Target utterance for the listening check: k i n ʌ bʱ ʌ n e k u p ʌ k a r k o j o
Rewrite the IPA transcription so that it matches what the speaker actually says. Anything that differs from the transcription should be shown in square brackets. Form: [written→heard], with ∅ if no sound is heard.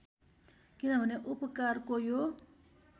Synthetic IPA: k i n ʌ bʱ ʌ n e [k→ʔ] u p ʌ k a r k o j o